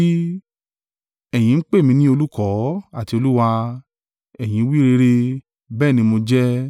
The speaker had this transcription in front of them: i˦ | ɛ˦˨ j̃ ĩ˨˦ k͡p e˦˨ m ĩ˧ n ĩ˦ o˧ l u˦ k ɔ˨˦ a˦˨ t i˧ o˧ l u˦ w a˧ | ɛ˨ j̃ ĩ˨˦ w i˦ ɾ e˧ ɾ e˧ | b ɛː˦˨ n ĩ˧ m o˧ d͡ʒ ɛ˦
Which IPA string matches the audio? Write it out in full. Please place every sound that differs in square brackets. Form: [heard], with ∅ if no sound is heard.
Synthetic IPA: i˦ | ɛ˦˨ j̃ ĩ˨˦ k͡p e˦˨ m ĩ˧ n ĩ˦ o˧ l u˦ k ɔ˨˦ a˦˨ t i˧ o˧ l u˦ w a˧ | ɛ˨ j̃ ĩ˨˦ w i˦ ɾ e˧ ɾ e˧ | b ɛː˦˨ n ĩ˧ m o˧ d͡ʒ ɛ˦